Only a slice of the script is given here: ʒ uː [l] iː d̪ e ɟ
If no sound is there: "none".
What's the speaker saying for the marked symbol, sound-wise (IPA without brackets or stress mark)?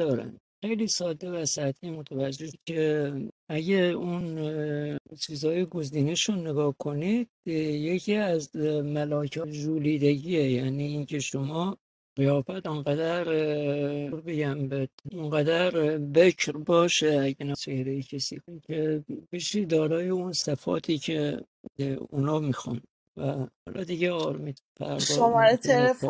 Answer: l